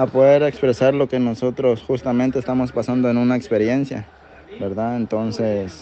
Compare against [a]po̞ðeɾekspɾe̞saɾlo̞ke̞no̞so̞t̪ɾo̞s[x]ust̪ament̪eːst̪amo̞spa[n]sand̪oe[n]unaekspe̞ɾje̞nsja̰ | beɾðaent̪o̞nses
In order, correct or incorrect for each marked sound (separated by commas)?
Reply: correct, correct, incorrect, correct